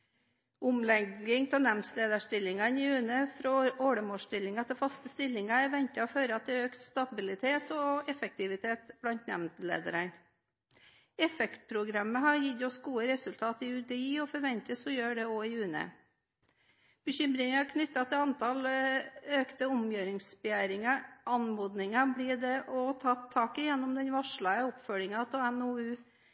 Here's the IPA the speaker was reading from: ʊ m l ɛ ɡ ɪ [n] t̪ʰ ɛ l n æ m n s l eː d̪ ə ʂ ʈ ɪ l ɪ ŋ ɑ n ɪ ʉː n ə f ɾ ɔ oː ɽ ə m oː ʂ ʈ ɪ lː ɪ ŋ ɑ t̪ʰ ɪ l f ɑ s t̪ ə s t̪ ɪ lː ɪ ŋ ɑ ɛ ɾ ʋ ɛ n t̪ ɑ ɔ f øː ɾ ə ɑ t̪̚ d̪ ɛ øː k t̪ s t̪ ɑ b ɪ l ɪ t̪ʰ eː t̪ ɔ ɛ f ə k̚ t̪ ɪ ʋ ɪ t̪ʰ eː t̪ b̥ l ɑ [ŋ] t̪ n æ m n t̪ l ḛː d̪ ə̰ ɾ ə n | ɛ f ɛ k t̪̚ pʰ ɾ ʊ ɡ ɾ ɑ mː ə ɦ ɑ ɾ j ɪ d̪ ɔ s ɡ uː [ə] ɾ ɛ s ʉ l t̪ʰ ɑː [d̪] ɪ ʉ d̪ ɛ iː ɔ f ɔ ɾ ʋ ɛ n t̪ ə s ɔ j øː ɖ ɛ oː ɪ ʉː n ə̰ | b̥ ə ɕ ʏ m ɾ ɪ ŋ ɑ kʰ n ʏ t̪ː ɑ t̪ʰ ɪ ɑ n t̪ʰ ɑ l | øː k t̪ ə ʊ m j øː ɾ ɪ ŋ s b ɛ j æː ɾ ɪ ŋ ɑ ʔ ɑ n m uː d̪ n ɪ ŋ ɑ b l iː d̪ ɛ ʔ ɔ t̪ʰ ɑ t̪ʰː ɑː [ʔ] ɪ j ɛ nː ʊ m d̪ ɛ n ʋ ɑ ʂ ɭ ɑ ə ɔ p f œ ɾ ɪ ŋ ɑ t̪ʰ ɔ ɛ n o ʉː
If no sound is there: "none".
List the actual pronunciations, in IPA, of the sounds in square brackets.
ŋ, n, ə, t̪, k

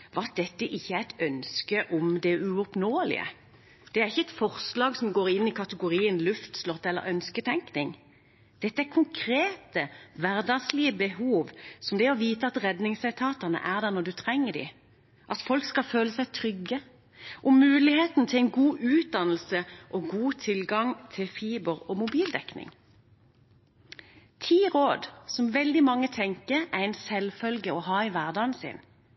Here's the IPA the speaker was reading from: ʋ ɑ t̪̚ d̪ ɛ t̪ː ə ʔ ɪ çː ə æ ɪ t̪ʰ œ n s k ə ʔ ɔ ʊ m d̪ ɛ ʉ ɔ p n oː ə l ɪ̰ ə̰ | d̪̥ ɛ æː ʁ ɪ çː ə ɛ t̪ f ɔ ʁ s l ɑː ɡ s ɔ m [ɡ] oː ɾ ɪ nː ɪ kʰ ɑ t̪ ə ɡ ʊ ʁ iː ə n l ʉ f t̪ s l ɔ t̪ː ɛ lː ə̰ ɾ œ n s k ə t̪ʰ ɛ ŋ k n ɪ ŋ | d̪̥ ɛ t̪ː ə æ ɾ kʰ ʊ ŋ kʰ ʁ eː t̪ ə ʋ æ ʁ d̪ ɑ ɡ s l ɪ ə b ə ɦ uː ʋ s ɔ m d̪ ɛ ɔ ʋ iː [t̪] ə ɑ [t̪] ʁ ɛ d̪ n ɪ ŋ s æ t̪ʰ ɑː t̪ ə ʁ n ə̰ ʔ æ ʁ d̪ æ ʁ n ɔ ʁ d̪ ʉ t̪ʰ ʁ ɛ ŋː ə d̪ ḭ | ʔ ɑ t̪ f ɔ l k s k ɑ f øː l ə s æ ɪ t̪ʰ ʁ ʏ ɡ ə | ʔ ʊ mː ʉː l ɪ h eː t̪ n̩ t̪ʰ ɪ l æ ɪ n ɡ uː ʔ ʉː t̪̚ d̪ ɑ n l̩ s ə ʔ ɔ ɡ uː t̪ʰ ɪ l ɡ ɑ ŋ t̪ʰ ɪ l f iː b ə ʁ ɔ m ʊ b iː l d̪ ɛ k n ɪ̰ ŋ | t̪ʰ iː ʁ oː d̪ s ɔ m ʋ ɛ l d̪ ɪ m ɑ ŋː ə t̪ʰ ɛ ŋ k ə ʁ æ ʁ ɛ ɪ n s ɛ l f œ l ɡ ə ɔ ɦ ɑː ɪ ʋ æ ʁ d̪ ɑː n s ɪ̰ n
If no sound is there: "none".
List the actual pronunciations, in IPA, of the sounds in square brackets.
ɡ, t̪, t̪

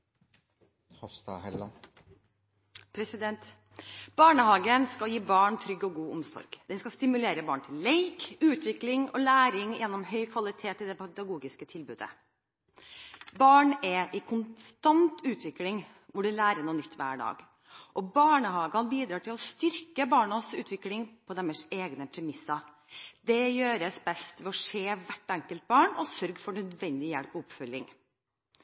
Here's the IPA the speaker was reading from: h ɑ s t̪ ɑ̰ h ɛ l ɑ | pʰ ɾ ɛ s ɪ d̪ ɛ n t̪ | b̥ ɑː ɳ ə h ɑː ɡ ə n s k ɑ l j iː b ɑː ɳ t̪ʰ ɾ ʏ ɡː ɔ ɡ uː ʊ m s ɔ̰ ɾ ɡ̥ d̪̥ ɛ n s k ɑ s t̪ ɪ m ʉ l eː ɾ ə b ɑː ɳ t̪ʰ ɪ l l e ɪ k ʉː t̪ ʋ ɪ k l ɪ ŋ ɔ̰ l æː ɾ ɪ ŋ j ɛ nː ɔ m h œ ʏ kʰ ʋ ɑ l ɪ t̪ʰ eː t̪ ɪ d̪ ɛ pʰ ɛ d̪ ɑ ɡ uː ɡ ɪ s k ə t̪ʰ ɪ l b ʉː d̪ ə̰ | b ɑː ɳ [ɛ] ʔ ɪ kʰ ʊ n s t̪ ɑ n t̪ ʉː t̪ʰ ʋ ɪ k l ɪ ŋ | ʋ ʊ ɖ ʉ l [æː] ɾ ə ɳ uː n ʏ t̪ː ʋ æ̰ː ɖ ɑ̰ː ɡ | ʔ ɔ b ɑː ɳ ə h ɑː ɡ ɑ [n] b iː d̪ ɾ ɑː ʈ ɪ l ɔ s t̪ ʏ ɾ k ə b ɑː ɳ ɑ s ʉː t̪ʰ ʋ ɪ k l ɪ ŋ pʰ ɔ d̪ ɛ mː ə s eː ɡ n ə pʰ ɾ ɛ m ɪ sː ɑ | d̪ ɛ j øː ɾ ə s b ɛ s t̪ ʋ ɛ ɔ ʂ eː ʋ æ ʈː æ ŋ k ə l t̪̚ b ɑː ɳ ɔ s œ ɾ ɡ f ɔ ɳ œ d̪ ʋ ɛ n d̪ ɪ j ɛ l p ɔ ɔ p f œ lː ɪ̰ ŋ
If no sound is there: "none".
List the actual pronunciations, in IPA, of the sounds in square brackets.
ɛ, æː, n

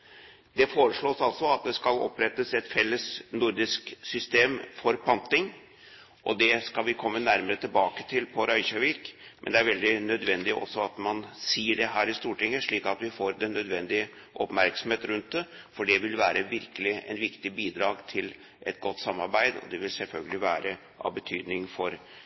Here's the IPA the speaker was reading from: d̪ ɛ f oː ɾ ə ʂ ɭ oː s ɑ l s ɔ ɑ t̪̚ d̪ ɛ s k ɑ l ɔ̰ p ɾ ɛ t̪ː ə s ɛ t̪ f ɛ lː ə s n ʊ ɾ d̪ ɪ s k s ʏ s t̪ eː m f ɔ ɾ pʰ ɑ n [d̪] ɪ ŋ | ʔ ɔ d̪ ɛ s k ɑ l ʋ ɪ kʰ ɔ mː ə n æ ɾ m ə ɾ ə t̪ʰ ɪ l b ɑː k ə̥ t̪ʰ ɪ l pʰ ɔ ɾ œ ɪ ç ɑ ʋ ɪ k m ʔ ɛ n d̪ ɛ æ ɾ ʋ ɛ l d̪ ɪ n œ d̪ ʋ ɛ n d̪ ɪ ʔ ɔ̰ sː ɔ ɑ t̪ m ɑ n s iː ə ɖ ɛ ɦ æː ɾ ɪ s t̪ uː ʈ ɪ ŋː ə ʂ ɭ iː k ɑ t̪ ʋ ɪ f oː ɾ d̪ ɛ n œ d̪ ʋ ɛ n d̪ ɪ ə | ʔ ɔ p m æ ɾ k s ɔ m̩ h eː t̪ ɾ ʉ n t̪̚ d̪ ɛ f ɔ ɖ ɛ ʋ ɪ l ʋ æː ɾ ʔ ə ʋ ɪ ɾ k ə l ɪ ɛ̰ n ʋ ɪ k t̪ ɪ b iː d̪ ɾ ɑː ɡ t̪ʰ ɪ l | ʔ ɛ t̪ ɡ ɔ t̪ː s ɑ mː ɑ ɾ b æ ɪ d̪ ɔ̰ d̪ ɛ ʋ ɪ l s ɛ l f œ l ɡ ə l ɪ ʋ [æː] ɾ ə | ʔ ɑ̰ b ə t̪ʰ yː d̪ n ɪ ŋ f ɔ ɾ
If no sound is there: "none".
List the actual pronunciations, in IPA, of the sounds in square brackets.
t̪, æː

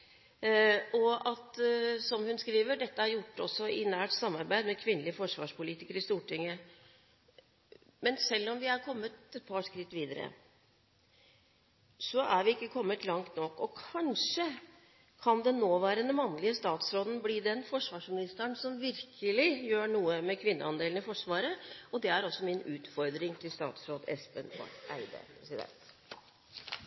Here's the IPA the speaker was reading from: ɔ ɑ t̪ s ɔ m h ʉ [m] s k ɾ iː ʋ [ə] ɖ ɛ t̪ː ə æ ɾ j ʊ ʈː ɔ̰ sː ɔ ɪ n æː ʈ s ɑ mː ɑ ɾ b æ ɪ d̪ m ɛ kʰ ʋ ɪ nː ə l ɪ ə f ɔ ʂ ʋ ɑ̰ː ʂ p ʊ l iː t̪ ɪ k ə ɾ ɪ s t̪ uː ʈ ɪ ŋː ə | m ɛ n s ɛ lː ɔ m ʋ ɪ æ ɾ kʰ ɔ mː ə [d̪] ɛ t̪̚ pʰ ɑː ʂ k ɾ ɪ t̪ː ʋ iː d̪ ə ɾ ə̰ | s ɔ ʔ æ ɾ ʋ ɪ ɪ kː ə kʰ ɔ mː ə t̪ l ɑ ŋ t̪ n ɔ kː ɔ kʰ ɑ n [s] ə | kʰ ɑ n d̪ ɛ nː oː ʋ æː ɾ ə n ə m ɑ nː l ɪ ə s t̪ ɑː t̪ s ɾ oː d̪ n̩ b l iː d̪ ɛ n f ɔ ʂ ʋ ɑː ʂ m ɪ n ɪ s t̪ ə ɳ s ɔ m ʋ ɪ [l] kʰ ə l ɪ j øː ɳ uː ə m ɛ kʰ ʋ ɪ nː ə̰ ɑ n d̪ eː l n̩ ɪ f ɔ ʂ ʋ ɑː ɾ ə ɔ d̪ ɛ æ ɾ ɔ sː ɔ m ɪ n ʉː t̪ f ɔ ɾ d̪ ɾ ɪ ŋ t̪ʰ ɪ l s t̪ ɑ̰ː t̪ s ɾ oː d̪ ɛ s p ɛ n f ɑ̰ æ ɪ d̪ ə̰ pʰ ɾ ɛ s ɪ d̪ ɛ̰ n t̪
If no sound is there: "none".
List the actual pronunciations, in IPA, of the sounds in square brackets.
n, ə, t̪, ʂ, ɾ

